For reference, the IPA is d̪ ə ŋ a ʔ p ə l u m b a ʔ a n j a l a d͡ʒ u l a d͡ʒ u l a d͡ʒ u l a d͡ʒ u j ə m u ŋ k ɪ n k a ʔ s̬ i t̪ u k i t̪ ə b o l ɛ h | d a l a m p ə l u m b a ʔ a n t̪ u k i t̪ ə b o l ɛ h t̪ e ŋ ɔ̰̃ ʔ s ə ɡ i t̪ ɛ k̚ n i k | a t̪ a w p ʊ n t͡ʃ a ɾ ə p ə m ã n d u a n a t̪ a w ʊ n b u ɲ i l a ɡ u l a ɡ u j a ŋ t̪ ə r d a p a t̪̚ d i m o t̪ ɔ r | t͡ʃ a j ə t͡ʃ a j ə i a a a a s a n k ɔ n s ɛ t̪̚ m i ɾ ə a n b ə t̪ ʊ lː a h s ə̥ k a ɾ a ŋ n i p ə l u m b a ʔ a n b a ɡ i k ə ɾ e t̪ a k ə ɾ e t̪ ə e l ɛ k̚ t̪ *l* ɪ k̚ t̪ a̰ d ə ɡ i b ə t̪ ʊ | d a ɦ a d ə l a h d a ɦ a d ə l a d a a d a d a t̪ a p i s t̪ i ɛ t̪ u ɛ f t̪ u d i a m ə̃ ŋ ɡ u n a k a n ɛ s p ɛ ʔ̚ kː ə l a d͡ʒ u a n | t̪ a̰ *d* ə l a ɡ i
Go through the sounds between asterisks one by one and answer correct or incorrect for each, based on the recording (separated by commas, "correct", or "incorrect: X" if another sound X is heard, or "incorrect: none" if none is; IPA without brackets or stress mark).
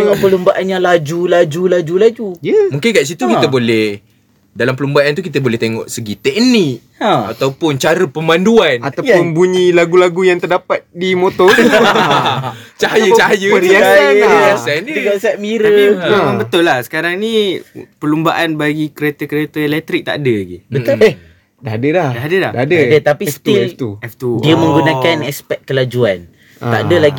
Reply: incorrect: ɾ, correct